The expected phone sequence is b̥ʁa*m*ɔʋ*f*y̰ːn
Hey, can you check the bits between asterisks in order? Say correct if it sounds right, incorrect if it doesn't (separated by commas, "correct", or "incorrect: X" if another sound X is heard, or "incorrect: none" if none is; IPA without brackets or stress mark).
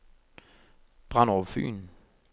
incorrect: n, correct